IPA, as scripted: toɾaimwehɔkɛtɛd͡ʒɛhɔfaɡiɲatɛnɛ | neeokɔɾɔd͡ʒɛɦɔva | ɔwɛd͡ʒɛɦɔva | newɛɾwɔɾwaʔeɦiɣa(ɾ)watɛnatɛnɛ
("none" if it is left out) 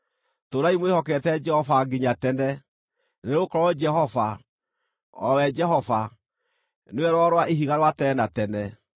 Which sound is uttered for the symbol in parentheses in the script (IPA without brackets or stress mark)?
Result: ɾ